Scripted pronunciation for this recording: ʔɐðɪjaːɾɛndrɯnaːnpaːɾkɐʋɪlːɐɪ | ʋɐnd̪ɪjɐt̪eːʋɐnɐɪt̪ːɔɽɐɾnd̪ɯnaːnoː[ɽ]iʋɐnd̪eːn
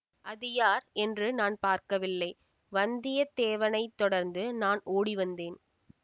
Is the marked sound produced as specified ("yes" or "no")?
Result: yes